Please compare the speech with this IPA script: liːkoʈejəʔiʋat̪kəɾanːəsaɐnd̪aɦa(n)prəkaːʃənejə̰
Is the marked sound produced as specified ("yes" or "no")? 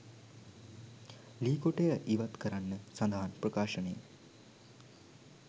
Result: yes